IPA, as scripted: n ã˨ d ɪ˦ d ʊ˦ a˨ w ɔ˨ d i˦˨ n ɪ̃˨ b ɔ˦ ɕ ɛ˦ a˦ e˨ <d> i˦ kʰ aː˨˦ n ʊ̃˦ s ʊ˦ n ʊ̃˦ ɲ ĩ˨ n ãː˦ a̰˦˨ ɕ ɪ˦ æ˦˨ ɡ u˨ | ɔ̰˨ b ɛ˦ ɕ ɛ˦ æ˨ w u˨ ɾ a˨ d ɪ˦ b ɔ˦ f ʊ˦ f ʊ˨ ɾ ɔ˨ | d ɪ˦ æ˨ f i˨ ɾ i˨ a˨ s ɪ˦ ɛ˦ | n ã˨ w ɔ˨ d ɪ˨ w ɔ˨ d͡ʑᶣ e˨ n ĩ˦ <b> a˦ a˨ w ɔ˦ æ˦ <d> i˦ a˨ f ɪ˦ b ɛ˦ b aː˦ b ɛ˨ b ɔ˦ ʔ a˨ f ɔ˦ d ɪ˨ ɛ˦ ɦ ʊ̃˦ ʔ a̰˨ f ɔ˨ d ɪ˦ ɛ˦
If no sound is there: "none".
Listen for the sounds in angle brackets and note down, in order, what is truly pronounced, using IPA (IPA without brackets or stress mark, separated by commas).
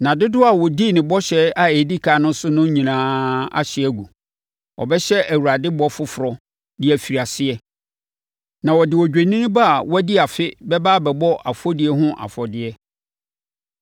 d, b, d